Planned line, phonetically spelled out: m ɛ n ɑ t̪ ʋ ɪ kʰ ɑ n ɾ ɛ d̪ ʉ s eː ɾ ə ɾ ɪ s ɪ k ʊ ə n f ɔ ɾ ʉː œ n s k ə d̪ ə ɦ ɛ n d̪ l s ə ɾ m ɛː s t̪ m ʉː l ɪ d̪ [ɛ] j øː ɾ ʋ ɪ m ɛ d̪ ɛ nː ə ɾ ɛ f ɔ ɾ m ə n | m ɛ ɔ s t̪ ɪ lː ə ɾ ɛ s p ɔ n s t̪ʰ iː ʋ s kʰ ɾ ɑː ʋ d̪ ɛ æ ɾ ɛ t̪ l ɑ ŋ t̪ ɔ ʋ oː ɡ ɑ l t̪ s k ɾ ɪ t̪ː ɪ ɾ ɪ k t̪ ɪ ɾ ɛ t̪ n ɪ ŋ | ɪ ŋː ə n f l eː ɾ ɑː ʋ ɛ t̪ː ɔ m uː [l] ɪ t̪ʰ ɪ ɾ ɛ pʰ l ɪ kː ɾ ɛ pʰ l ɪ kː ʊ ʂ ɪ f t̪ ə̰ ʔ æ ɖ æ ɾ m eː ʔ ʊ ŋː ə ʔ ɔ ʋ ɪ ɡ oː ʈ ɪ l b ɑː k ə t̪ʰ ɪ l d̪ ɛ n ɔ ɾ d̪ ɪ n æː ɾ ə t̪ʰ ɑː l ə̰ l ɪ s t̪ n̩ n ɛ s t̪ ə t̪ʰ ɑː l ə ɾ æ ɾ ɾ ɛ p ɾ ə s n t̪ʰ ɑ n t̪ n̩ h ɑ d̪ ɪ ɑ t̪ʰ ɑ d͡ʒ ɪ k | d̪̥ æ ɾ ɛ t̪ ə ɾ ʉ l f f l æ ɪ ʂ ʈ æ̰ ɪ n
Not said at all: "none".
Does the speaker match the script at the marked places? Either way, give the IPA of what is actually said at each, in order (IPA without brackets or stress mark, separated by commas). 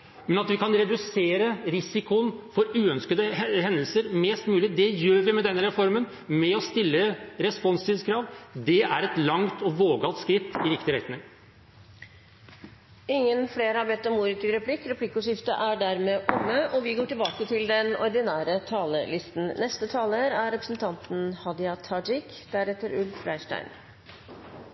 ɛ, ɾ